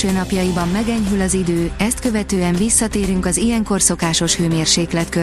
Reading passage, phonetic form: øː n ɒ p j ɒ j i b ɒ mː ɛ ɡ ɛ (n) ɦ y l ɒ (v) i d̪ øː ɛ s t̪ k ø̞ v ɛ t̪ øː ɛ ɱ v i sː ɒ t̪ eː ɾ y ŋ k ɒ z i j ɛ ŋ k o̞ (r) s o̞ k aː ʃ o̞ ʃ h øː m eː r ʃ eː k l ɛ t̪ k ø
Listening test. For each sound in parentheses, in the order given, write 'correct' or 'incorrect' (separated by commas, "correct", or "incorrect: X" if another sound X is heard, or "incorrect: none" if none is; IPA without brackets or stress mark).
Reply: incorrect: ɲ, incorrect: z, correct